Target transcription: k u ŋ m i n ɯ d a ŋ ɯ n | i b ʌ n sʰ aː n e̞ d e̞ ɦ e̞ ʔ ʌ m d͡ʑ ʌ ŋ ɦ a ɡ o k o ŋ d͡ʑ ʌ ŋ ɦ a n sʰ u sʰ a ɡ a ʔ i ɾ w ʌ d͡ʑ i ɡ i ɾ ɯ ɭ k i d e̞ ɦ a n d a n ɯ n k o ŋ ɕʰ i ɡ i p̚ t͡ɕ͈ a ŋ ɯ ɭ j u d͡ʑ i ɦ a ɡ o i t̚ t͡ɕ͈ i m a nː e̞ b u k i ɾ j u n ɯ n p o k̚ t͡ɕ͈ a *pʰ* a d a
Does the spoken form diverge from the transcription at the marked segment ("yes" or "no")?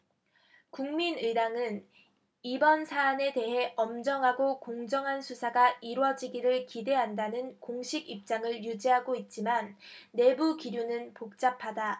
no